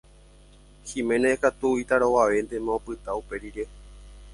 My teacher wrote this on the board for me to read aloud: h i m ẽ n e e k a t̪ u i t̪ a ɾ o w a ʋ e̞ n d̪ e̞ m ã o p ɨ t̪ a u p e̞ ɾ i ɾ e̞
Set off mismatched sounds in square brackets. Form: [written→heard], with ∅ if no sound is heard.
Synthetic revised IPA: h i m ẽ n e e k a t̪ u i t̪ a ɾ o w a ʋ e̞ n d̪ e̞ m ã o p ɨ t̪ a u p e̞ ɾ i ɾ e̞